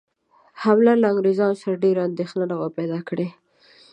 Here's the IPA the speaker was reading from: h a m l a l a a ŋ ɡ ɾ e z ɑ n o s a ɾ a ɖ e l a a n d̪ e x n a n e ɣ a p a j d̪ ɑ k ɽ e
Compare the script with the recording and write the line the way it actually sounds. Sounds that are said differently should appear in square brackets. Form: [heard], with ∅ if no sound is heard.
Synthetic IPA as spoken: h a m l a l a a ŋ ɡ ɾ e z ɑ n o s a ɾ a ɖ e [ɾ] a a n d̪ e x n a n [a] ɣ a p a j d̪ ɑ k ɽ e